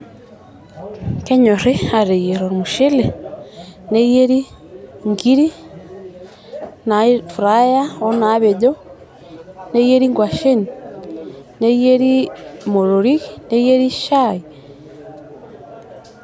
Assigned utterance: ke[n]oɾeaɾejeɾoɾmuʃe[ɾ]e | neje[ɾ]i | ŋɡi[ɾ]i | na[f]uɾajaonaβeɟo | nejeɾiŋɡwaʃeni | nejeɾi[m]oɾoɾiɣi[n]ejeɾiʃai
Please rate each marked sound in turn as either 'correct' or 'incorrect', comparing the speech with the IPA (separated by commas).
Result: incorrect, incorrect, correct, correct, correct, correct, correct